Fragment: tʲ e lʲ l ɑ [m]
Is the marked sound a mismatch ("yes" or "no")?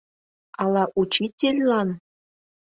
yes